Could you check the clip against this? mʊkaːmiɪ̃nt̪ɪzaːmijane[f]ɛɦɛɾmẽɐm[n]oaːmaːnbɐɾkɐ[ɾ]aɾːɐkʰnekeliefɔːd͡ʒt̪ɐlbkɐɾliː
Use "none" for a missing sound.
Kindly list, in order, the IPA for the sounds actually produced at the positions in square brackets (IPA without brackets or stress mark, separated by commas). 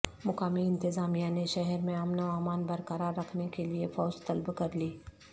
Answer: ʃ, n, ɾ